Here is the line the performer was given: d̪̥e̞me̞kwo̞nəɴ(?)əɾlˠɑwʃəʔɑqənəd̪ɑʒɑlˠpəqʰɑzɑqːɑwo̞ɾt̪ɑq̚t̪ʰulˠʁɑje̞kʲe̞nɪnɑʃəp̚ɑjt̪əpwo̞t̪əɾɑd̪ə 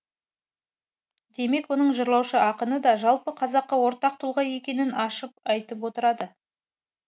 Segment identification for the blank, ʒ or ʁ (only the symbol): ʒ